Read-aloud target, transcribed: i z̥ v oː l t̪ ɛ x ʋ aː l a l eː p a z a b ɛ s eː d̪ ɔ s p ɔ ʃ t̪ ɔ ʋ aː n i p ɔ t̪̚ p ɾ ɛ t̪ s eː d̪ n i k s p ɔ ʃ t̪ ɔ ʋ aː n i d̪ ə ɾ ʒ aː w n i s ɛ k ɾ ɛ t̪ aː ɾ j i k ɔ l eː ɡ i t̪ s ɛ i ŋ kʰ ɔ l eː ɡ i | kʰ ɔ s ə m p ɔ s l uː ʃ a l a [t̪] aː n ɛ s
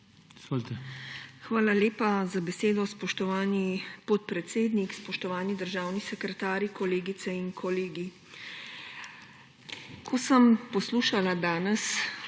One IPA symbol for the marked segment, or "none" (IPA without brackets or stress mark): d̪